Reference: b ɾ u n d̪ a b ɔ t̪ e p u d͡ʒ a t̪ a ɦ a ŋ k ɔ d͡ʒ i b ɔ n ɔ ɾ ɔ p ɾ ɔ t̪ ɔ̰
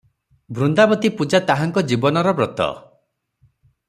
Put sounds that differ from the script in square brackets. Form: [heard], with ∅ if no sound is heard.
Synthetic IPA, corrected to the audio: b ɾ u n d̪ a b ɔ t̪ [i] p u d͡ʒ a t̪ a ɦ a ŋ k ɔ d͡ʒ i b ɔ n ɔ ɾ ɔ [b] ɾ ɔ t̪ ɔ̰